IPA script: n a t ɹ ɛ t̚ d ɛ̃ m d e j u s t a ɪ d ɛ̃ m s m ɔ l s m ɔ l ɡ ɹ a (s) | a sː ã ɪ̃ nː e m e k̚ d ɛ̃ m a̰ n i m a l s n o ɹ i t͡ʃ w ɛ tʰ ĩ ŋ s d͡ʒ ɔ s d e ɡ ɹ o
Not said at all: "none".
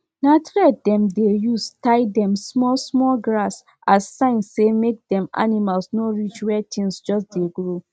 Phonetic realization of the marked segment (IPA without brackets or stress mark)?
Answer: s